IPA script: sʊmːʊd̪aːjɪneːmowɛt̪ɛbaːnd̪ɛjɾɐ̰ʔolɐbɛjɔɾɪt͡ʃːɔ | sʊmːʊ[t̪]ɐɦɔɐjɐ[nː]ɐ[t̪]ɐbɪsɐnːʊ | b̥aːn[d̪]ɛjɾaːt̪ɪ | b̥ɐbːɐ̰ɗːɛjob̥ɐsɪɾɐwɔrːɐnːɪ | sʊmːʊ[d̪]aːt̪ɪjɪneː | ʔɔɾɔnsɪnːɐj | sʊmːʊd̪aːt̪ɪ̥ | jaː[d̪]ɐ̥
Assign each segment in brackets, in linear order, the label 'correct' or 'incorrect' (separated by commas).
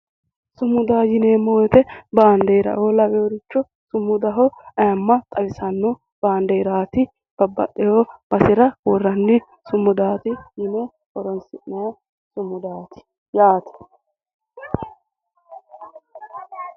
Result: incorrect, incorrect, incorrect, correct, correct, incorrect